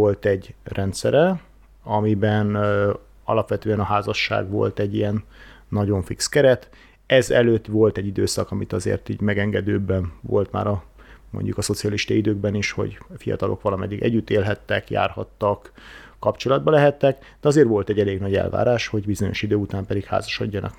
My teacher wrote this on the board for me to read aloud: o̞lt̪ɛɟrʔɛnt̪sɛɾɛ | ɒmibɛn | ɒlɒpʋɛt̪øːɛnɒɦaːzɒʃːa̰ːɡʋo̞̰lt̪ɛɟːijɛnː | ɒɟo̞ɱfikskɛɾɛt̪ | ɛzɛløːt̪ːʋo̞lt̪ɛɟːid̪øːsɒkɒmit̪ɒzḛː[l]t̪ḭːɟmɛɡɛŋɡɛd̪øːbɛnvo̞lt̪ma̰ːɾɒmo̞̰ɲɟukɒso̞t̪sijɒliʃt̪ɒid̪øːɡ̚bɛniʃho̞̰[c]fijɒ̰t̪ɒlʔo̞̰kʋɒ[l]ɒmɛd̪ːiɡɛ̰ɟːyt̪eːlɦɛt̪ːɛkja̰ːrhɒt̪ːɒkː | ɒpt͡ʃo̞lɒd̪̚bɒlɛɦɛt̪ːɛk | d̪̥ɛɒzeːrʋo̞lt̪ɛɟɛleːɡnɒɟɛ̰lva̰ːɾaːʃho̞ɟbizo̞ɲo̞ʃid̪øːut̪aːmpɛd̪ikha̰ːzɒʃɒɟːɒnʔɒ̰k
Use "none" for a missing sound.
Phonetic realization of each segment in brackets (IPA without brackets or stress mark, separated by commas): r, ɟ, l